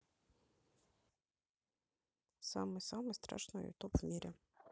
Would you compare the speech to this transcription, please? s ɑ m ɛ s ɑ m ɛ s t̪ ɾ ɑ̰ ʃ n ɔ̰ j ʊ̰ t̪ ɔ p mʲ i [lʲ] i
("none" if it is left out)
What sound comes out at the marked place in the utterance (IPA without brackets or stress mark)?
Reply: ɾʲ